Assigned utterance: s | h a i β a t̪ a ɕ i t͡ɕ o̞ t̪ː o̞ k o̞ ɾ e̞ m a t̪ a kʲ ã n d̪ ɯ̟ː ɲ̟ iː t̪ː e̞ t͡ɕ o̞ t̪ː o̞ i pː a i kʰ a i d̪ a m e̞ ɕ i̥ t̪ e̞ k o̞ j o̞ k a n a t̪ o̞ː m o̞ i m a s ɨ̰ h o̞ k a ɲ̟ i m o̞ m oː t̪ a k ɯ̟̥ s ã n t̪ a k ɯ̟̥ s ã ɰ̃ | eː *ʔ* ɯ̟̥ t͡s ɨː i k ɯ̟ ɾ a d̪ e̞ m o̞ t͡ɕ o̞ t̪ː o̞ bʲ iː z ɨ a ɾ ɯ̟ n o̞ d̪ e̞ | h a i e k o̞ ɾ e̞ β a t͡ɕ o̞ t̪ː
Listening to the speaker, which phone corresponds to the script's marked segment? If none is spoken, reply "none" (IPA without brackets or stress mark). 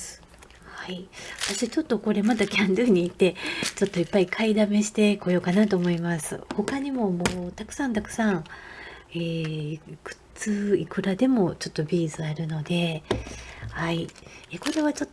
k